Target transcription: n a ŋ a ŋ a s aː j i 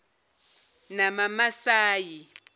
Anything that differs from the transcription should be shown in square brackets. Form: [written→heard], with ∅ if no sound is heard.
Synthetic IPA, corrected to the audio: n a [ŋ→m] a [ŋ→m] a s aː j i